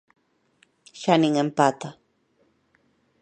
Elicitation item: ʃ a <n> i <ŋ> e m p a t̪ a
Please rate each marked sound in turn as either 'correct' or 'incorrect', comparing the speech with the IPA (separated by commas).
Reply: correct, correct